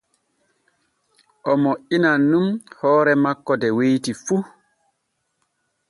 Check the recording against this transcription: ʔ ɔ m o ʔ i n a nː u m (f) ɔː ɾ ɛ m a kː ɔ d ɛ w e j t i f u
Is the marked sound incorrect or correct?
incorrect: h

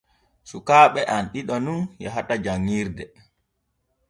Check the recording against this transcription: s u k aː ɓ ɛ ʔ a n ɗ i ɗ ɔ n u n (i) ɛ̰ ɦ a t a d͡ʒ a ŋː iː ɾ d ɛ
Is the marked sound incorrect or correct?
incorrect: j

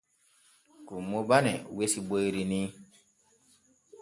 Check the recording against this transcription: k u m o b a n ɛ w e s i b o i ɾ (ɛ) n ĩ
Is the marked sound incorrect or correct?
incorrect: i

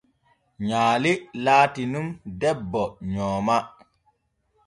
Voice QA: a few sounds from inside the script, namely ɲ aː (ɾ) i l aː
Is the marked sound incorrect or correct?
incorrect: l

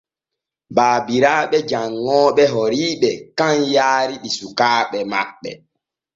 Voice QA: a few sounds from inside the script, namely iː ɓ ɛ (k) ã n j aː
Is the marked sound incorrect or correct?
correct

